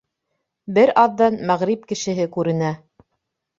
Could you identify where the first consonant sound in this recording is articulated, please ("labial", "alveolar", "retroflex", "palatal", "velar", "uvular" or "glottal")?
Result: labial